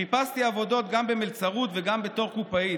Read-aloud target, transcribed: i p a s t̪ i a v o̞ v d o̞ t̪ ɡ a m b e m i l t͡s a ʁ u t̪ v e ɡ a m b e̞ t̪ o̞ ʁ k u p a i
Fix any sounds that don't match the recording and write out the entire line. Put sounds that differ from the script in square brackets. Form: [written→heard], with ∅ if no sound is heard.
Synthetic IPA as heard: i p a s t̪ i a v o̞ [v→∅] d o̞ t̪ ɡ a m b e m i l t͡s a ʁ u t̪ v e ɡ a m b e̞ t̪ o̞ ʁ k u p a i